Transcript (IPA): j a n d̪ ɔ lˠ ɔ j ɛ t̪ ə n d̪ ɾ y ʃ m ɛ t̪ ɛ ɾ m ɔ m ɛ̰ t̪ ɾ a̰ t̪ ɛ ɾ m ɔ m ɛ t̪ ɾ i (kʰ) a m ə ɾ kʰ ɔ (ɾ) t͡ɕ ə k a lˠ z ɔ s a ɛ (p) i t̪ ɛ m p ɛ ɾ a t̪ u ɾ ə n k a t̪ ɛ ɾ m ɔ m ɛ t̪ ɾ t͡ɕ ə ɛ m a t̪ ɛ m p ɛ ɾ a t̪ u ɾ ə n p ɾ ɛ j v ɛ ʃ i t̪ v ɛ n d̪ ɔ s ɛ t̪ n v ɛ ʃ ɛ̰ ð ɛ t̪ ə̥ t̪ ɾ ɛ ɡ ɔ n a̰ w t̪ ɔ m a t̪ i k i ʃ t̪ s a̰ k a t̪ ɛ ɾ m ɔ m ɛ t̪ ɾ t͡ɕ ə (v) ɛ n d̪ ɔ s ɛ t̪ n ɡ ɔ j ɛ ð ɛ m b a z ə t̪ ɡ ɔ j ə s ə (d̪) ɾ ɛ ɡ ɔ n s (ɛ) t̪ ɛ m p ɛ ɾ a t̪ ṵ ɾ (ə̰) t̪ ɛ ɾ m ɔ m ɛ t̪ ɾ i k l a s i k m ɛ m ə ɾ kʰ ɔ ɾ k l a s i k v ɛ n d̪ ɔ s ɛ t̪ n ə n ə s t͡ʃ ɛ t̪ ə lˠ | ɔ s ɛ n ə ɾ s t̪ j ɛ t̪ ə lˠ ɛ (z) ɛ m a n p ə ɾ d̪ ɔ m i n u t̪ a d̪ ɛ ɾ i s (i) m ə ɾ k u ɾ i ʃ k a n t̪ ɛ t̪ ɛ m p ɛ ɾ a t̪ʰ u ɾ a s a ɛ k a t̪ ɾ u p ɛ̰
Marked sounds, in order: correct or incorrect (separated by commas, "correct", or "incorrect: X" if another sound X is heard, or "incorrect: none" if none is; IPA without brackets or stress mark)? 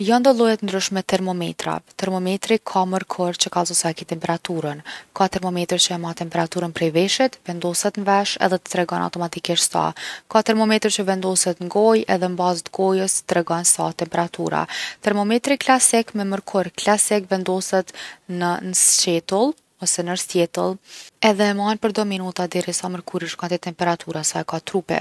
correct, correct, incorrect: k, correct, incorrect: t̪, incorrect: a, incorrect: a̰, incorrect: ð, incorrect: a